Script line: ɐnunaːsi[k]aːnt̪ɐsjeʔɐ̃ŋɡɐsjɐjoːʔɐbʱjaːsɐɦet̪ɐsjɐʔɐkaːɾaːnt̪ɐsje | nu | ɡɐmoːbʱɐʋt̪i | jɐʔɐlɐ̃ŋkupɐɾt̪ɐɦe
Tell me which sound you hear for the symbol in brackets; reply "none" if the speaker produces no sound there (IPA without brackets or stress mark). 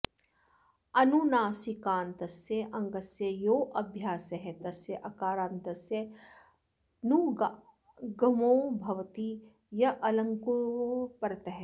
k